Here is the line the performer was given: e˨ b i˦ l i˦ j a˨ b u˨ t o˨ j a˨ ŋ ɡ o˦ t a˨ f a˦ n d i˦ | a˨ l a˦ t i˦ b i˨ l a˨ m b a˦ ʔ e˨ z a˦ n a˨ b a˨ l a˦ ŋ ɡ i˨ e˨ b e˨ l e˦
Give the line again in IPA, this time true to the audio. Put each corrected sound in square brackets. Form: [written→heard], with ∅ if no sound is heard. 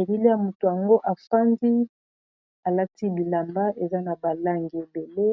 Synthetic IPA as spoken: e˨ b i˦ l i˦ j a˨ [b→m] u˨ t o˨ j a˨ ŋ ɡ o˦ [t→ʔ] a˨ f a˦ n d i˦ | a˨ l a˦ t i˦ b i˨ l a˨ m b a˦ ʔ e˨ z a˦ n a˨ b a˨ l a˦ ŋ ɡ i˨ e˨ b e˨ l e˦